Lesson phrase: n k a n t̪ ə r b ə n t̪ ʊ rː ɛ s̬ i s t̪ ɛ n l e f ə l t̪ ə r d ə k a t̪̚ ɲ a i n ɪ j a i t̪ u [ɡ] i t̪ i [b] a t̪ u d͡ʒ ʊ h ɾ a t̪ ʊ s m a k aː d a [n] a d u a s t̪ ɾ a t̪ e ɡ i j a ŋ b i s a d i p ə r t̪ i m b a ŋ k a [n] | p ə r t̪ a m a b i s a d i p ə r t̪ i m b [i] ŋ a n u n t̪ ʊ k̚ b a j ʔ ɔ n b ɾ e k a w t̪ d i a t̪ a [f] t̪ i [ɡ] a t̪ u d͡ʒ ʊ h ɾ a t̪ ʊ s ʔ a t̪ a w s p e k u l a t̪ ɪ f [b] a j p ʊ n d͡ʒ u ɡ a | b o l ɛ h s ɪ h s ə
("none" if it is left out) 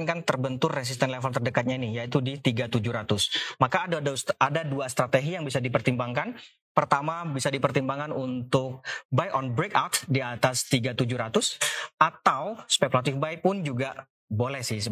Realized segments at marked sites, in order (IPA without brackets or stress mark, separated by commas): d, ɡ, d, n, a, s, ɡ, b